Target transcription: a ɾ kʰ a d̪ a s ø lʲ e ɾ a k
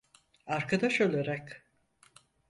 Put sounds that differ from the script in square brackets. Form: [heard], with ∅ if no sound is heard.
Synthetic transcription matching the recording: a ɾ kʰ a d̪ a [ʃ] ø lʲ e ɾ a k